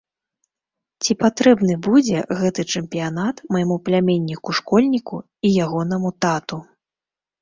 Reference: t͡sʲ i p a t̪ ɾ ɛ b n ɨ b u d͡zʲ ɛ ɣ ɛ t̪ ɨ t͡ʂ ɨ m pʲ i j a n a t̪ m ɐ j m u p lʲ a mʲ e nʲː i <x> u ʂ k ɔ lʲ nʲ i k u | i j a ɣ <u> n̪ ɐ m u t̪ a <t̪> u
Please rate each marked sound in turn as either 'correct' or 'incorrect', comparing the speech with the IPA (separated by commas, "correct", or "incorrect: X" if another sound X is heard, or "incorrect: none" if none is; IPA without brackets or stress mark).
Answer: incorrect: k, incorrect: ɔ, correct